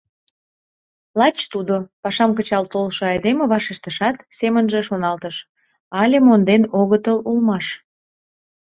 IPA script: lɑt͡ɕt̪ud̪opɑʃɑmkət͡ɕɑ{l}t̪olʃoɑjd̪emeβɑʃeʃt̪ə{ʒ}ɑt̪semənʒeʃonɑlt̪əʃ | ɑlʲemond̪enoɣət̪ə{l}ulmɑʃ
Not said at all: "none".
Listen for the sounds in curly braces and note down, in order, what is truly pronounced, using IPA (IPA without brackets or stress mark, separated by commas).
l, ʃ, l